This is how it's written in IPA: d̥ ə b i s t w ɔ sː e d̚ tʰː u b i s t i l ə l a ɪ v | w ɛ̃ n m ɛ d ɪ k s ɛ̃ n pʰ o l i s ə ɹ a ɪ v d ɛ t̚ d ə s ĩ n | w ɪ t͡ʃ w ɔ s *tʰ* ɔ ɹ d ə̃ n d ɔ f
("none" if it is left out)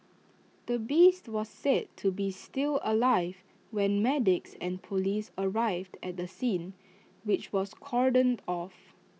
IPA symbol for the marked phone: kʰ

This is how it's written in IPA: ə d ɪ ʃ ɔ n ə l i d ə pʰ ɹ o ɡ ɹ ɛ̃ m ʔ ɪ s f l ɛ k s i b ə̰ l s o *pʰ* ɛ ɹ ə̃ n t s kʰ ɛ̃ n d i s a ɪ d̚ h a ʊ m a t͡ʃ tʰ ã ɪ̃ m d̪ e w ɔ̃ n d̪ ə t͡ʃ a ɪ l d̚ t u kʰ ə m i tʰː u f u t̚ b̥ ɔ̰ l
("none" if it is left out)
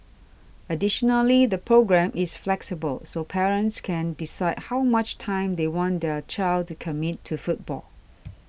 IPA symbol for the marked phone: pʰ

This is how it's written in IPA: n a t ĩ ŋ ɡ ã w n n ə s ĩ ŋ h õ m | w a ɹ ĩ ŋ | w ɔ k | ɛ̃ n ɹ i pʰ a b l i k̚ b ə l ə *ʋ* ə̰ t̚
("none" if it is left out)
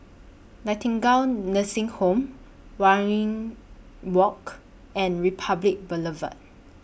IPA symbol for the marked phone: v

